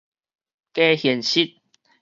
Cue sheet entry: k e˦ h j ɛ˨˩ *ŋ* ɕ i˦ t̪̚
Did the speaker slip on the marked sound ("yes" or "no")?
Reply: yes